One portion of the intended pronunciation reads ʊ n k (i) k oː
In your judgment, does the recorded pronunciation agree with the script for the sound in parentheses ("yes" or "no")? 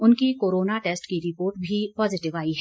yes